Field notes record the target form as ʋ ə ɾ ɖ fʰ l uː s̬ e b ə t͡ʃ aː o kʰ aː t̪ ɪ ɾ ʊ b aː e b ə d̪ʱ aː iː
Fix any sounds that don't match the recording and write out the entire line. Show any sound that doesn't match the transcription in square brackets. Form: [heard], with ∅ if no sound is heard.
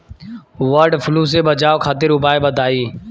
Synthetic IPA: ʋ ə ɾ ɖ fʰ l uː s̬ e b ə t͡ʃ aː o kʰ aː t̪ ɪ ɾ ʊ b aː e b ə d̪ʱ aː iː

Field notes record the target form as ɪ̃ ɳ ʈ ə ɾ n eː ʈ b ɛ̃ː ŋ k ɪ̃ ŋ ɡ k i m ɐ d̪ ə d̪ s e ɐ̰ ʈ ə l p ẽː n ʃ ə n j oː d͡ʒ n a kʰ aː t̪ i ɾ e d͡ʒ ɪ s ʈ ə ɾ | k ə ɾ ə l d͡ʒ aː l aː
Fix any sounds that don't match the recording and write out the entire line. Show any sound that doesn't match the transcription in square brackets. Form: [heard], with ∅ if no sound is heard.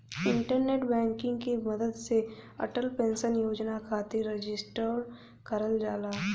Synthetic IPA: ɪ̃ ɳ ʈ ə ɾ n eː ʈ b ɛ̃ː ŋ k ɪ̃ ŋ ɡ k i m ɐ d̪ ə d̪ s e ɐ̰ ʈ ə l p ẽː n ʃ ə n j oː d͡ʒ n a kʰ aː t̪ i ɾ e d͡ʒ ɪ s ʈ ə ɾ | k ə ɾ ə l d͡ʒ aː l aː

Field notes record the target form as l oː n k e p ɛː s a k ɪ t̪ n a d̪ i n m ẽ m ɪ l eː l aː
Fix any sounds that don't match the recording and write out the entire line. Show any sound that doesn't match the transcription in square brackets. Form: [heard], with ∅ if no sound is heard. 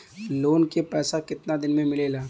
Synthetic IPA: l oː n k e p ɛː s a k ɪ t̪ n a d̪ [ɪ] n m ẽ m ɪ l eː l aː

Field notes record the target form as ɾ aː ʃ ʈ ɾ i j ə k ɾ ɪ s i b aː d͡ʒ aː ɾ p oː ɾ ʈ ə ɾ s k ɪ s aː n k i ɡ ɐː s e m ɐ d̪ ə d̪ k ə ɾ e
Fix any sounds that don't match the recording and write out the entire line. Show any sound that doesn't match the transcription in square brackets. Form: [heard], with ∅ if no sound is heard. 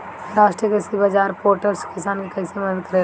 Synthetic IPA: ɾ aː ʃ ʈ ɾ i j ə k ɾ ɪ s i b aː d͡ʒ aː ɾ p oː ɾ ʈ ə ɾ s k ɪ s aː n k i [k] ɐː s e m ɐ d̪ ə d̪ k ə ɾ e

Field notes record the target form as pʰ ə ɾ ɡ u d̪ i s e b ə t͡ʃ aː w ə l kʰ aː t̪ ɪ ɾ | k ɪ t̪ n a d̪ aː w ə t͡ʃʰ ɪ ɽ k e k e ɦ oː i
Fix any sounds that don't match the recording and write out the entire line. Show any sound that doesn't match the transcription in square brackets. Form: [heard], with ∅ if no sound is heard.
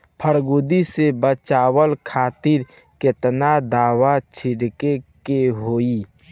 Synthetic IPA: pʰ ə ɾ ɡ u d̪ i s e b ə t͡ʃ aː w ə l kʰ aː t̪ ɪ ɾ | k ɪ t̪ n a d̪ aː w [a] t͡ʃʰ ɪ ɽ k e k e ɦ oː i

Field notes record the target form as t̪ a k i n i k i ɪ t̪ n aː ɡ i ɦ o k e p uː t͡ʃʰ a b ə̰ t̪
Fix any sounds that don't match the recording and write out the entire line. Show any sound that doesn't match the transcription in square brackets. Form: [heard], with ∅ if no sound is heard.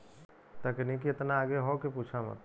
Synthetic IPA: t̪ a k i n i k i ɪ t̪ n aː ɡ [e] ɦ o k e p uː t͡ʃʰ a [m] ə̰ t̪

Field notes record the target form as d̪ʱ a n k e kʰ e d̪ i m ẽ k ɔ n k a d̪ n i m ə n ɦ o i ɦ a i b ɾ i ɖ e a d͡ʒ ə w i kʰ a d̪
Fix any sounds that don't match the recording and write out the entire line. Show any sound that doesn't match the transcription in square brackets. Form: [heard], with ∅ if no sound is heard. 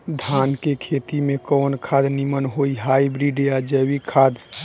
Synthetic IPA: d̪ʱ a n k e kʰ e [t̪] i m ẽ k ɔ n [kʰ] a d̪ n i m ə n ɦ o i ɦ a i b ɾ i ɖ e a d͡ʒ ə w i kʰ a d̪

